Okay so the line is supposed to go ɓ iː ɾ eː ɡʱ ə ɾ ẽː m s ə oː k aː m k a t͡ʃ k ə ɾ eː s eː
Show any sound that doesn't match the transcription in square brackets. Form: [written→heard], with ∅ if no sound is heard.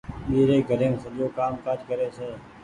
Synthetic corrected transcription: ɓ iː ɾ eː ɡʱ ə ɾ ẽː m s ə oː k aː m k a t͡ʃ k ə ɾ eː s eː